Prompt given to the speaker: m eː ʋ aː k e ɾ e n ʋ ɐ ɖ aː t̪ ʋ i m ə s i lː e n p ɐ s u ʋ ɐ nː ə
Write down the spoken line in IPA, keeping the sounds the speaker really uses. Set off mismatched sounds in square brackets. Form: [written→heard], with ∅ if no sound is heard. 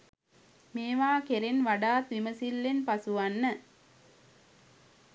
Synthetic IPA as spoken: m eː ʋ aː k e ɾ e n ʋ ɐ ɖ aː t̪ ʋ i m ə s i lː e n p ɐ s u ʋ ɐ nː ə